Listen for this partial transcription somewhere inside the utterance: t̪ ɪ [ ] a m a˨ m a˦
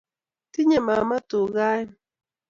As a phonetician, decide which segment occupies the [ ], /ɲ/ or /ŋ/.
ɲ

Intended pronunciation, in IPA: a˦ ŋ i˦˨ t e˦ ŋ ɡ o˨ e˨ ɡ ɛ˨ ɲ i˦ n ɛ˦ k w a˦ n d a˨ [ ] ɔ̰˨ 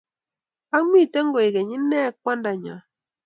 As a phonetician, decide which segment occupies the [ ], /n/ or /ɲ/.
ɲ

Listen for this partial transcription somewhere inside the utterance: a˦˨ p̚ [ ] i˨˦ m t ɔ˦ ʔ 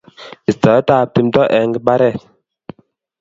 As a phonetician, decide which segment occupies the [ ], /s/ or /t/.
t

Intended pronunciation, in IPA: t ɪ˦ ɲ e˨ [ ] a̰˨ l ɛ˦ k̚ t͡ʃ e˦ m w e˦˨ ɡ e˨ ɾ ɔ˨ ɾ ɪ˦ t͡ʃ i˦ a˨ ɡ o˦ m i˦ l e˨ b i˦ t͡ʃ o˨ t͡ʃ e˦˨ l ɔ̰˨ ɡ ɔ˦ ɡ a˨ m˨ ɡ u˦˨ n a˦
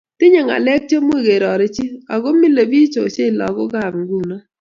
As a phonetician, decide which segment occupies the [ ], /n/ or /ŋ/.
ŋ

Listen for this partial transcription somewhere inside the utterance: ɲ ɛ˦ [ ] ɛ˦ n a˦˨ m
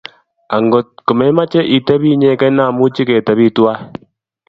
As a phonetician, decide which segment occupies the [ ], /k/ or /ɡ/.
k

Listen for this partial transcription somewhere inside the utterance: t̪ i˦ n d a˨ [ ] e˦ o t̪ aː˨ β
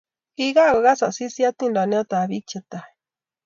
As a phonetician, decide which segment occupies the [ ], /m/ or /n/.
n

